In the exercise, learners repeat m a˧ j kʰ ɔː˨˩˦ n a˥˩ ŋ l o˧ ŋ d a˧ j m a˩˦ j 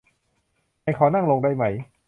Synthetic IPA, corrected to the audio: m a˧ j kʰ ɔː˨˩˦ n a˥˩ ŋ l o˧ ŋ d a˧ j m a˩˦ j